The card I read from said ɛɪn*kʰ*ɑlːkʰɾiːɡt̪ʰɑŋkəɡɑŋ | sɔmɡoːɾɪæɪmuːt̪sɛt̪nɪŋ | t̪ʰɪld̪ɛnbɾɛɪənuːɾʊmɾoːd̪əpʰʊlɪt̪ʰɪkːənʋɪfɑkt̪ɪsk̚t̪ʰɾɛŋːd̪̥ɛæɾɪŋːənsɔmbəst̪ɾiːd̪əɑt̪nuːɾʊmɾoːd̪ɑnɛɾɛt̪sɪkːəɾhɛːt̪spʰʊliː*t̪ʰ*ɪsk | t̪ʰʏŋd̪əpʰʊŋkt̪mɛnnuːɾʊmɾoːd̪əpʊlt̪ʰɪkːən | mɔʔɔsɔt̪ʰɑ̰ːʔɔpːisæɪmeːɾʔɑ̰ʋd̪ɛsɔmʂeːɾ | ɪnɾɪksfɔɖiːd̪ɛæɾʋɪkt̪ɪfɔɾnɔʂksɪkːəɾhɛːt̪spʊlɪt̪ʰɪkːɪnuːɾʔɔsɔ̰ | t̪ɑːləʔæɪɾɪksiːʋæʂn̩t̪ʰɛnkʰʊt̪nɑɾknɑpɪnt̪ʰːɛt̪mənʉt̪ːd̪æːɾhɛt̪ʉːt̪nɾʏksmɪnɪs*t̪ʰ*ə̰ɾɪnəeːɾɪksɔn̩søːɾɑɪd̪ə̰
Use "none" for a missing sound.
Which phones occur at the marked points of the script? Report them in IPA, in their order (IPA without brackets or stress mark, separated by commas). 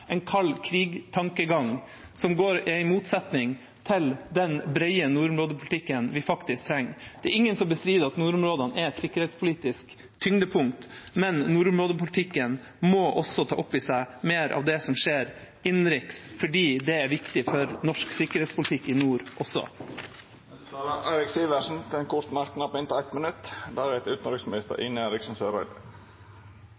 kʰ, t̪, t̪